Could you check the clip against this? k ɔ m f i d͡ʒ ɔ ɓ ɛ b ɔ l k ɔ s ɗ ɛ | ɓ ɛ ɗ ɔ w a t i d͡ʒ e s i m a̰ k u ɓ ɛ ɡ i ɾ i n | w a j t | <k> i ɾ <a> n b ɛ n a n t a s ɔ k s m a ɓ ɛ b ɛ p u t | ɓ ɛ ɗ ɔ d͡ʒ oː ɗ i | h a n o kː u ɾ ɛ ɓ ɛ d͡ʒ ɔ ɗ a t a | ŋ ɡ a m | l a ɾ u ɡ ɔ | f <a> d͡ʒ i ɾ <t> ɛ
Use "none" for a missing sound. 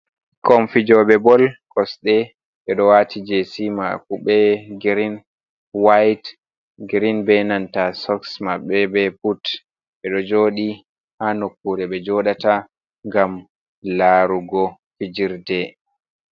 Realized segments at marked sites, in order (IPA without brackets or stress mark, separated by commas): ɡ, i, i, d